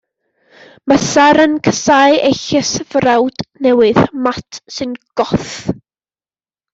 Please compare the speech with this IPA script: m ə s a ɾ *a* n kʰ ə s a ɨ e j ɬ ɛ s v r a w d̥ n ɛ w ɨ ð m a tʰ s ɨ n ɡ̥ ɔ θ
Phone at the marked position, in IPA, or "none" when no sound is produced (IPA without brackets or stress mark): ə